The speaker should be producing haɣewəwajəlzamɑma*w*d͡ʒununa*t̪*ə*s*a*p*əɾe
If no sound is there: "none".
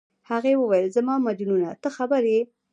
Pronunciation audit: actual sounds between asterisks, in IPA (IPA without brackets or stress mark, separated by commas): none, t̪, x, b